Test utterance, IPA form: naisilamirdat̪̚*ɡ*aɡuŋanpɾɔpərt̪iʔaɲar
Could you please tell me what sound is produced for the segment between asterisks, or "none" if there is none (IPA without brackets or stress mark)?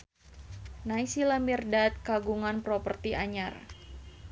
k